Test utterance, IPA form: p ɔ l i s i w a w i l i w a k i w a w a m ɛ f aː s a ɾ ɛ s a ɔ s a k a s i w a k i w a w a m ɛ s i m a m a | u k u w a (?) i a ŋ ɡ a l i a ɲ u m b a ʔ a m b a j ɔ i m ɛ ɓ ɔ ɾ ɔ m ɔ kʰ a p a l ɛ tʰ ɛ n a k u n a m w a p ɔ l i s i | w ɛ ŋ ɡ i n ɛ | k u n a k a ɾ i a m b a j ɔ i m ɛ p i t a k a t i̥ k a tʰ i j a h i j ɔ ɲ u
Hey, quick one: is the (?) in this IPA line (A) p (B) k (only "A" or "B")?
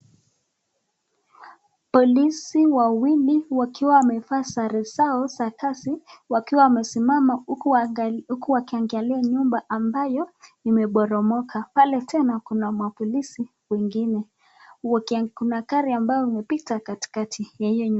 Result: B